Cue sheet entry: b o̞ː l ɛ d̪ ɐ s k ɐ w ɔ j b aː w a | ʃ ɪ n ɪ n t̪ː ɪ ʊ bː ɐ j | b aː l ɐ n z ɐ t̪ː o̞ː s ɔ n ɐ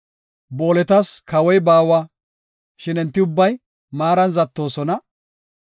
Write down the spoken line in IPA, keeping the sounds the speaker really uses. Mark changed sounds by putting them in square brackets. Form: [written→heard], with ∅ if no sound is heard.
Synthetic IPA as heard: b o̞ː l ɛ [d̪→t̪] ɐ s k ɐ w ɔ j b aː w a | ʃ ɪ n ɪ n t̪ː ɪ ʊ bː ɐ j | [b→m] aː [l→ɾ] ɐ n z ɐ t̪ː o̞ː s ɔ n ɐ